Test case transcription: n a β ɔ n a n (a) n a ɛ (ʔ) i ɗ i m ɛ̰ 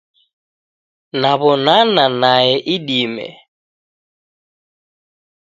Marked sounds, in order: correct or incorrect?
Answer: correct, correct

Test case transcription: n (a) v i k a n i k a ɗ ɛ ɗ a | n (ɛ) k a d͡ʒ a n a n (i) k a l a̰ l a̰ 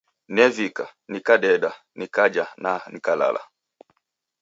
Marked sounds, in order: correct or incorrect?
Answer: incorrect: ɛ, incorrect: i, correct

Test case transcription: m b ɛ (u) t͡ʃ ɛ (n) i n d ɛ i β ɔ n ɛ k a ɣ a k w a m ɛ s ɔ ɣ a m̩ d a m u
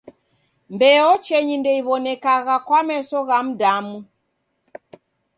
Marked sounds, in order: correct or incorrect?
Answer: incorrect: ɔ, incorrect: ɲ

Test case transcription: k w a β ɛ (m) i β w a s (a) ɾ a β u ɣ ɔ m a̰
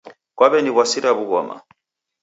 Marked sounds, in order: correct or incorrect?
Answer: incorrect: n, incorrect: i

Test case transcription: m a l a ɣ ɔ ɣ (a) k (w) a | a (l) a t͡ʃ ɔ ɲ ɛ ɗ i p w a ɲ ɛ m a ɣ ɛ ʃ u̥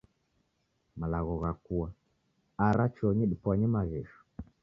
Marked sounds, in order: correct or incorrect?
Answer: correct, incorrect: u, incorrect: ɾ

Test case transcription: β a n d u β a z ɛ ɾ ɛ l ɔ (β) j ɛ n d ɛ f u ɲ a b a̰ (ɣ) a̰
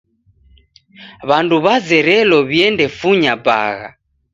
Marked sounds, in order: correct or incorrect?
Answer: correct, correct

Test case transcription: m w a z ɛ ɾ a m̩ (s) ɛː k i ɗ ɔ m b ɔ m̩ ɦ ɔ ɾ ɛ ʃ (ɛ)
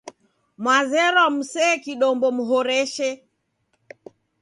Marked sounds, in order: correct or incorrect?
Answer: correct, correct

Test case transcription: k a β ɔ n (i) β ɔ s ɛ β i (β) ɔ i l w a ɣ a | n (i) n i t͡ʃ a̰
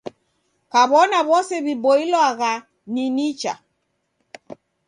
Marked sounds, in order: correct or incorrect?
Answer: incorrect: a, incorrect: b, correct

